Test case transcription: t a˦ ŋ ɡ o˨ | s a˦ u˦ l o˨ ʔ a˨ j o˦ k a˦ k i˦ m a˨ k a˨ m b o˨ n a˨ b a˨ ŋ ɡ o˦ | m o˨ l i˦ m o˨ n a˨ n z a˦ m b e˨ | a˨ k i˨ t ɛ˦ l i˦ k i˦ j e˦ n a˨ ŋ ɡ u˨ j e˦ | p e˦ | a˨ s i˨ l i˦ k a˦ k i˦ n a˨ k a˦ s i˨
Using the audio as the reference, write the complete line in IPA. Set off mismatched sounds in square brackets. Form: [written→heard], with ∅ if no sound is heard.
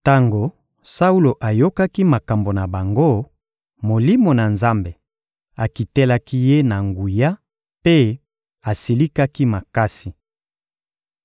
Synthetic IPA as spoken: t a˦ ŋ ɡ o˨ | s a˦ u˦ l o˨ ʔ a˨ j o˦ k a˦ k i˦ m a˨ k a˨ m b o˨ n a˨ b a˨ ŋ ɡ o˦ | m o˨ l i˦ m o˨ n a˨ n z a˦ m b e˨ | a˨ k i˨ t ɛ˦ l [i˦→a˦] k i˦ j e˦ n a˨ ŋ ɡ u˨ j [e˦→a˦] | p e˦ | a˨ s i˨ l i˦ k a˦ k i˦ [n→m] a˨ k a˦ s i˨